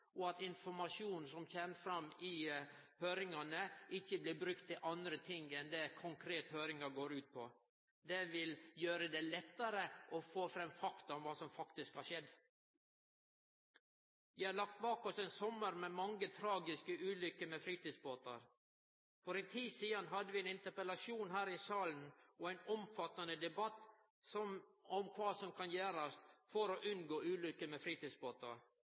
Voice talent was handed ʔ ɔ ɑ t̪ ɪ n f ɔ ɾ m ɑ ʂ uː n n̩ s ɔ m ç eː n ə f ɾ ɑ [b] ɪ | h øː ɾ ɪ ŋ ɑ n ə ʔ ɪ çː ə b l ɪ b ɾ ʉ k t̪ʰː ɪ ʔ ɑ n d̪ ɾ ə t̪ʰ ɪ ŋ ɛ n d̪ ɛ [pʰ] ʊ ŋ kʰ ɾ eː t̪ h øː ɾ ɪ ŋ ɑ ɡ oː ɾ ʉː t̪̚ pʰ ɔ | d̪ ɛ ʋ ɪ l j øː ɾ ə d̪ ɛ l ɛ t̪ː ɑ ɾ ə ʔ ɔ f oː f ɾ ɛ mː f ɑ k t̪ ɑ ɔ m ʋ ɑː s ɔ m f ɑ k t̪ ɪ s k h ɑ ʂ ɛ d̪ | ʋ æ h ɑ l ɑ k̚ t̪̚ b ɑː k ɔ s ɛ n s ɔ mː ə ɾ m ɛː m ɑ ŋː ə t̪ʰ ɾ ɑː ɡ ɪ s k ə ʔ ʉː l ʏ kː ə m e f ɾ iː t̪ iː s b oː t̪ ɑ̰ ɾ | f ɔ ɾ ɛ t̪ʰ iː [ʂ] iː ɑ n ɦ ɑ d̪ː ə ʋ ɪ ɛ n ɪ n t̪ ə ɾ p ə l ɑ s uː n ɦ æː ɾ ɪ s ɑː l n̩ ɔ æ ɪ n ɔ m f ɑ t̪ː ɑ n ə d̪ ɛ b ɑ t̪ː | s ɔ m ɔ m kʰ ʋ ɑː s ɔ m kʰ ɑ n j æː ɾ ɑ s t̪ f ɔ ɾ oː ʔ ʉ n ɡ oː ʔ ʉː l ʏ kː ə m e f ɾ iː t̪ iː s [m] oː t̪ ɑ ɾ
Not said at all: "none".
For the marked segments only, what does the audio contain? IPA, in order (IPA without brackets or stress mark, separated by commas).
m, kʰ, s, b